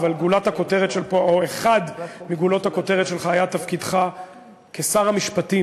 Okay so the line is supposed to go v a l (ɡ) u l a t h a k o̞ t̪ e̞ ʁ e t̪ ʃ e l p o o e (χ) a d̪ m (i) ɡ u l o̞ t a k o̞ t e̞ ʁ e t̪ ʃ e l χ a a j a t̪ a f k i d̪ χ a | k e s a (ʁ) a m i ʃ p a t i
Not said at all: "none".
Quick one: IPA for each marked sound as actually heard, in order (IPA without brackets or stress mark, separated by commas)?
ɡ, χ, i, ʁ